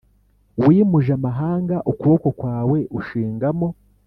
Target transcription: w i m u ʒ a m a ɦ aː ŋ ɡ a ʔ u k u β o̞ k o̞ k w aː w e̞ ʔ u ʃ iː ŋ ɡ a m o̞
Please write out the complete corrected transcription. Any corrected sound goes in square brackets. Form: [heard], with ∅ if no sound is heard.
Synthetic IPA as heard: w i m u ʒ a m a ɦ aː ŋ ɡ a ʔ u k u β o̞ k o̞ k w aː w e̞ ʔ u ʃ iː ŋ ɡ a m o̞

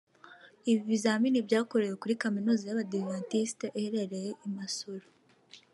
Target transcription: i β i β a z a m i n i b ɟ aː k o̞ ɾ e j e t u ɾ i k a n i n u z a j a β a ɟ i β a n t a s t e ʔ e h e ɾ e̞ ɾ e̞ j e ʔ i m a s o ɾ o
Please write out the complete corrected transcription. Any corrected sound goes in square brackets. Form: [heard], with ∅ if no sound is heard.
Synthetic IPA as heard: i β i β [i] z a m i n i b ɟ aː k o̞ ɾ e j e [k] u ɾ i k a [m] i n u z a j a β a [d] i [v] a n t [i] s t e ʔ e h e ɾ e̞ ɾ e̞ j e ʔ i m a s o ɾ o

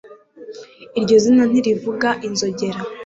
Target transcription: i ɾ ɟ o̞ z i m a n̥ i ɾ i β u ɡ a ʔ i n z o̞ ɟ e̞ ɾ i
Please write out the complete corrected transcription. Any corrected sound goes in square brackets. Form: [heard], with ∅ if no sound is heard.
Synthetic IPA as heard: i ɾ ɟ o̞ z i [n] a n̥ i ɾ i [v] u ɡ a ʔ i n z o̞ ɟ e̞ ɾ [a]

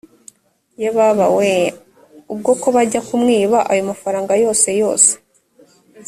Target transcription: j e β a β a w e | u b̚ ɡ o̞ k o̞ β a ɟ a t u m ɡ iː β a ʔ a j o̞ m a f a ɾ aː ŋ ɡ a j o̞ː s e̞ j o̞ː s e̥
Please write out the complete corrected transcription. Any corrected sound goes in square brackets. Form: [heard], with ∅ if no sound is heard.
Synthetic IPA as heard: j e β a β a w e | u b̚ ɡ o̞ k o̞ β a ɟ a [k] u m [ŋ] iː β a ʔ a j o̞ m a f a ɾ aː ŋ ɡ a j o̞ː s e̞ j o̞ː s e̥

